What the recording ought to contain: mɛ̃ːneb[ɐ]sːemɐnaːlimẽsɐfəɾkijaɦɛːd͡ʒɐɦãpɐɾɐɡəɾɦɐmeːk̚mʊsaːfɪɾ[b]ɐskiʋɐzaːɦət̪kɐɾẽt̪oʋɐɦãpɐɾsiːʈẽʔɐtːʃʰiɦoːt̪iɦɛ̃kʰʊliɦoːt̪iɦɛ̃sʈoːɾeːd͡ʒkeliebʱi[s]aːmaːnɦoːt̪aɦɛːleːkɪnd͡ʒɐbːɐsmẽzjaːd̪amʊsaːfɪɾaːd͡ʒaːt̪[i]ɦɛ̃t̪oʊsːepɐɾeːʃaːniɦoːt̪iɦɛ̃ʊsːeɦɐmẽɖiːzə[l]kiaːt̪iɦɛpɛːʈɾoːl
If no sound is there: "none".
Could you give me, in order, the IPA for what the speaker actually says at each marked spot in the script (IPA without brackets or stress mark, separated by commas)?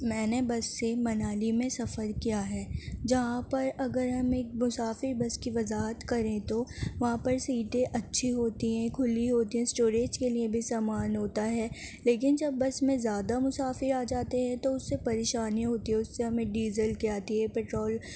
ɐ, b, s, e, l